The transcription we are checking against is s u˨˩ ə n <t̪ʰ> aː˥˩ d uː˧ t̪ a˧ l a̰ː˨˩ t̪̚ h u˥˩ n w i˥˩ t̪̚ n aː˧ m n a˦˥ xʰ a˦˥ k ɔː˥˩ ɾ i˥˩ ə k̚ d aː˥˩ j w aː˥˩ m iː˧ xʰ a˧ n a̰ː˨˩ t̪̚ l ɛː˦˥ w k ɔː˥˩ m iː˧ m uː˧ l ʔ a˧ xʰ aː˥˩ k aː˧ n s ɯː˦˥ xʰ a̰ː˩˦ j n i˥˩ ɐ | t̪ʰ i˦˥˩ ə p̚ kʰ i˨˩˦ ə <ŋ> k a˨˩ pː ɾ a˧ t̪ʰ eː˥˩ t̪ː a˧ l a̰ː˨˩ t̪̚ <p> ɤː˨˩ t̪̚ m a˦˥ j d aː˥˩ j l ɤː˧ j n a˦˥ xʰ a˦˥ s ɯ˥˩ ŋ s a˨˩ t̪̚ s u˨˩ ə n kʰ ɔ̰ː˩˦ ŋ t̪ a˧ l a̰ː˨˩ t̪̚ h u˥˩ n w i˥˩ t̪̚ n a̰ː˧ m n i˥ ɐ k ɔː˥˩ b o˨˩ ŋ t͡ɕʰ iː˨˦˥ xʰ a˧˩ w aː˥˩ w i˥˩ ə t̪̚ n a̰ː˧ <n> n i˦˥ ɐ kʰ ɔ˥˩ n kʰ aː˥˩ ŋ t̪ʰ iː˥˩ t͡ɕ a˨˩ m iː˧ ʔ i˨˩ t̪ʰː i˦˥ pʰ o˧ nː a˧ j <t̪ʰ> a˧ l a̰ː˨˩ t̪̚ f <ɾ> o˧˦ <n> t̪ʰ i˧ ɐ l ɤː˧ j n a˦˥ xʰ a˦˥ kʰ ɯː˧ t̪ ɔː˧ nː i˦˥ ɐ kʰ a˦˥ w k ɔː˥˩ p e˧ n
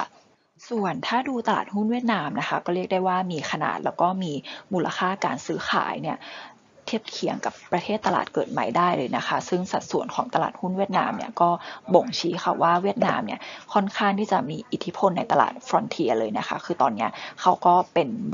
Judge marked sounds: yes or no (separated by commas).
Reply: yes, yes, no, no, no, yes, yes